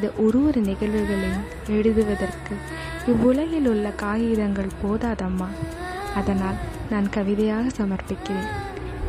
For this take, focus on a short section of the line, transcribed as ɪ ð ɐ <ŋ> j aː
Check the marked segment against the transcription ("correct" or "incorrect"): incorrect